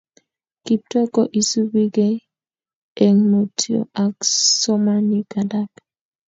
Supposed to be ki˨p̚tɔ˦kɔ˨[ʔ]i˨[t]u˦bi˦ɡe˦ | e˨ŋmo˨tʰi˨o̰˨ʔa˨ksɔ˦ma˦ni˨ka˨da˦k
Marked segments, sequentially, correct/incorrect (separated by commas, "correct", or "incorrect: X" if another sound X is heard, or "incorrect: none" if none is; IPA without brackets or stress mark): correct, incorrect: s